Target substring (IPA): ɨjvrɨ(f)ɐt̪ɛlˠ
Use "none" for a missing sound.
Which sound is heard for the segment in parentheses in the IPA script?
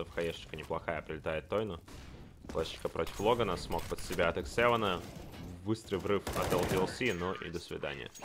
f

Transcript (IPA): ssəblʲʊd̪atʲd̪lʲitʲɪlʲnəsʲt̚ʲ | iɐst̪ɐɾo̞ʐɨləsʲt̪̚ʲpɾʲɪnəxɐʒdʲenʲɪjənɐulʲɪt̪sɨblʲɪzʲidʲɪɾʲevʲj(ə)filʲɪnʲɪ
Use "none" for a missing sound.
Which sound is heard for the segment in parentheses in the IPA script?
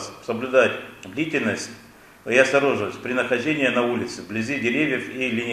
ə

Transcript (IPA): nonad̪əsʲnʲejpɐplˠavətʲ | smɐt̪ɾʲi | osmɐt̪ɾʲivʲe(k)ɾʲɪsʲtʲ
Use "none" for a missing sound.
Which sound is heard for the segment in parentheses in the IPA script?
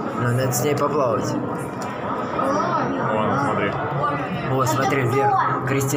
k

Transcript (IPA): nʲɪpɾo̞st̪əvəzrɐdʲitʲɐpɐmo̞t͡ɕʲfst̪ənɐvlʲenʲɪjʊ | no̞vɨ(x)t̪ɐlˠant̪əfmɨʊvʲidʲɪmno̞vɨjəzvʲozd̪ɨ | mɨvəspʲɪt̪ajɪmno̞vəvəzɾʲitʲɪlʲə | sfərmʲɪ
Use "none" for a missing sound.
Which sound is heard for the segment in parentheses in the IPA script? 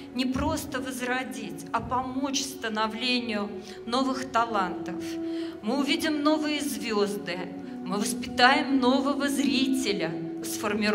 x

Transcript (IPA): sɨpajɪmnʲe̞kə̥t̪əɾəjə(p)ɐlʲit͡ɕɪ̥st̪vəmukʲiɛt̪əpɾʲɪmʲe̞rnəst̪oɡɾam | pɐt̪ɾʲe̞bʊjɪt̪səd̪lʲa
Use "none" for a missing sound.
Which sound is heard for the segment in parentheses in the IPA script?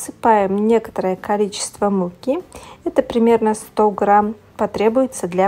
k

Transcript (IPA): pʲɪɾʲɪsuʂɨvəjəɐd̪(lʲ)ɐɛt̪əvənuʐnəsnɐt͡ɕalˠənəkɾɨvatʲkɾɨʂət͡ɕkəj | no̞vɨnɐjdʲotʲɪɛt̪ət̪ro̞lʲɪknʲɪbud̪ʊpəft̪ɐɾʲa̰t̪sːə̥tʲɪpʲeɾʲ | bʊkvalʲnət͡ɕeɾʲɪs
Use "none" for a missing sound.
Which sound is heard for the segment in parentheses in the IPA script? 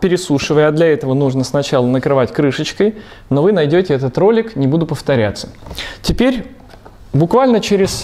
lʲ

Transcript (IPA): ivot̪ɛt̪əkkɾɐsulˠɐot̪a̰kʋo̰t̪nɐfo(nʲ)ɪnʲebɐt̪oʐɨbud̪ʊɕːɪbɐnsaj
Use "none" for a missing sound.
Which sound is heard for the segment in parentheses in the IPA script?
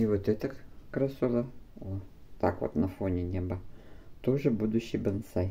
nʲ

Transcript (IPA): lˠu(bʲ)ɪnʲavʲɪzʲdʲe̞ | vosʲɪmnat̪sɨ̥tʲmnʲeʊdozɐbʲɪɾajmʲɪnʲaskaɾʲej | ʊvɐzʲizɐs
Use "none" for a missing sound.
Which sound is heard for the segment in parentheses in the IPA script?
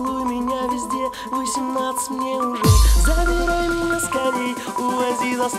mʲ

